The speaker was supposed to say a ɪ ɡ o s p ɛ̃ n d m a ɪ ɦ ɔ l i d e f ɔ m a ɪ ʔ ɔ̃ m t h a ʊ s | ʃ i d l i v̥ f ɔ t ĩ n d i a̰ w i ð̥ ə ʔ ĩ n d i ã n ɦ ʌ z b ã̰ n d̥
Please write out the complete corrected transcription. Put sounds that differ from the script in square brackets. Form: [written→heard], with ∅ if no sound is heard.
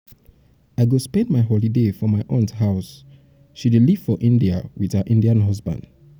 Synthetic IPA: a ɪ ɡ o s p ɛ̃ n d m a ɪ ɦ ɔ l i d e f ɔ m a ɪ ʔ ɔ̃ [m→n] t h a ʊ s | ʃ i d l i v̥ f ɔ [t→ʔ] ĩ n d i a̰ w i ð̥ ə ʔ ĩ n d i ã n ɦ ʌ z b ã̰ n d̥